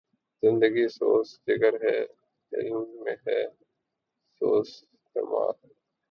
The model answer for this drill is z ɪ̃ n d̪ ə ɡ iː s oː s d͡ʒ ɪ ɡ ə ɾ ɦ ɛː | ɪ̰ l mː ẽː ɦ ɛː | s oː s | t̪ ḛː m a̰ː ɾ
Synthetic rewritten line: z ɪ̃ n d̪ ə ɡ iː s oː s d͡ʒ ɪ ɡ ə ɾ ɦ ɛː | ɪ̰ l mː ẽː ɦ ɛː | s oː s | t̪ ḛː m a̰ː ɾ